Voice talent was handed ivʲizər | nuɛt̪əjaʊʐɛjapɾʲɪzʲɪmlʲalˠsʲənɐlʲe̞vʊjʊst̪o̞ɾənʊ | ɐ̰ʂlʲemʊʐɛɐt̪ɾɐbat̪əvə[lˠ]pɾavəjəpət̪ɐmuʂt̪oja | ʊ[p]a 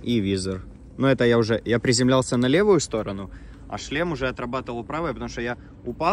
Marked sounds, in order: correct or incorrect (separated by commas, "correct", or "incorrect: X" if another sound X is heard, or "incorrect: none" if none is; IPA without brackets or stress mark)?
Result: correct, correct